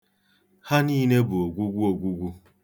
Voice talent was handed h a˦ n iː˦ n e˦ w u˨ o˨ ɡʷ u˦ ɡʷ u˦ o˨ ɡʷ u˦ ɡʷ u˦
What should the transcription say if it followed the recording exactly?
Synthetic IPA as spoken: h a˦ n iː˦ n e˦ b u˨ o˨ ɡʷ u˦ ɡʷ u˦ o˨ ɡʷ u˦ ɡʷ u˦